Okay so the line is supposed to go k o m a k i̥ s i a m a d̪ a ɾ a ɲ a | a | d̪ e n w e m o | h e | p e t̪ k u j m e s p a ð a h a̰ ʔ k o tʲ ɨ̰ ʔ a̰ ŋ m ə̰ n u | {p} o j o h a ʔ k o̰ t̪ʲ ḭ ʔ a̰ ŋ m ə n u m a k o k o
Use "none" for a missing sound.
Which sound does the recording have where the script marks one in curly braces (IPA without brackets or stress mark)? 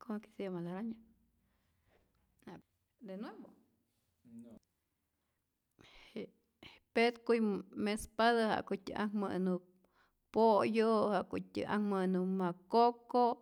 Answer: p